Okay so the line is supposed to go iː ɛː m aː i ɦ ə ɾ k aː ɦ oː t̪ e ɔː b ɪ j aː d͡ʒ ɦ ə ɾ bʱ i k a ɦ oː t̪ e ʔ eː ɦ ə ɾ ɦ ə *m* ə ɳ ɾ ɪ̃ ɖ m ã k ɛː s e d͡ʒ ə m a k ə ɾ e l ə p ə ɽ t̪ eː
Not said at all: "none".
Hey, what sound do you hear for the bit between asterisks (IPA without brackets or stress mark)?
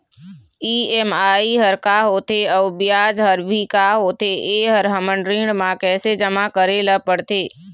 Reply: m